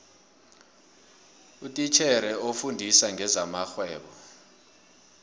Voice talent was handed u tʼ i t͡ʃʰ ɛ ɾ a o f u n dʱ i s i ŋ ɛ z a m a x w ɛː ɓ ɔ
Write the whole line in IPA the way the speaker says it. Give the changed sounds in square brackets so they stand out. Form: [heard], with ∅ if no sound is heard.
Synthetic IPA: u tʼ i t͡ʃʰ ɛ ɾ [ɛ] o f u n dʱ i s [a] ŋ ɛ z a m a x w ɛː ɓ ɔ